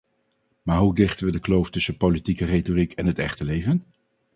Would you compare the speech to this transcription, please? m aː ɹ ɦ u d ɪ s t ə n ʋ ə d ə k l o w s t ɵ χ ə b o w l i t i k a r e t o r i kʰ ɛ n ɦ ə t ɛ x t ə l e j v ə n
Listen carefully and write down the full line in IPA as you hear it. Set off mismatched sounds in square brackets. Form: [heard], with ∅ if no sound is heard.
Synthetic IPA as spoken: m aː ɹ ɦ u d ɪ [χ] t ə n ʋ ə d ə k l o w [f] t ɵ [s] ə [p] o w l i t i k [ə] r e t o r i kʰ ɛ n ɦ ə t ɛ [χ] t ə l e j v ə n